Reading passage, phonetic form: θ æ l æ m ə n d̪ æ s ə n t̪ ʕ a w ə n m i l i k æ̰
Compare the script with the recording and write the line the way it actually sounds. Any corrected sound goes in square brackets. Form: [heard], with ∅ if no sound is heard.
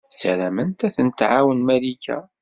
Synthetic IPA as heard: [s] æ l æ m ə n [t̪] æ [θ] ə n t̪ ʕ a w ə n m [æ] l i k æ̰